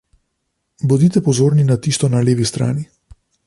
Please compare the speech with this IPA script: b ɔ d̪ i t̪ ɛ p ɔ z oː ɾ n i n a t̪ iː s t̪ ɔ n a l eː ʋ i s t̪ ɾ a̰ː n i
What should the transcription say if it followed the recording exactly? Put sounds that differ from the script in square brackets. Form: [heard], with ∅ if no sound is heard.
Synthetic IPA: b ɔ d̪ i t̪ ɛ p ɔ z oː ɾ n i n a t̪ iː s t̪ ɔ n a l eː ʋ i s t̪ ɾ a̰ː n i